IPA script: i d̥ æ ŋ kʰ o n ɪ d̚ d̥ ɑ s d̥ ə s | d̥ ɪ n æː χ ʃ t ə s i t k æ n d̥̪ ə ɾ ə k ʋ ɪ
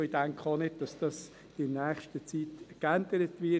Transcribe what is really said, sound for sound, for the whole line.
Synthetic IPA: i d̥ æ ŋ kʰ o n ɪ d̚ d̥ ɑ s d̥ ɑ s | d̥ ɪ n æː χ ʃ t ə t͡s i t k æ n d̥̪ ə ɾ ə t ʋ ɪ

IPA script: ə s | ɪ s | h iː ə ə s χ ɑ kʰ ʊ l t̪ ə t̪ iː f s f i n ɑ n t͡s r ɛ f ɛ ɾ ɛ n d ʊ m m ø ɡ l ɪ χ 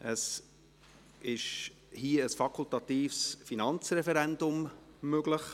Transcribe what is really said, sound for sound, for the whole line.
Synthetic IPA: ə s | ɪ ʃ | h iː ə ə s f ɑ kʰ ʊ l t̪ ɑ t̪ iː f s f i n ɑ n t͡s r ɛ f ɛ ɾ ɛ n d ʊ m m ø ɡ l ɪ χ

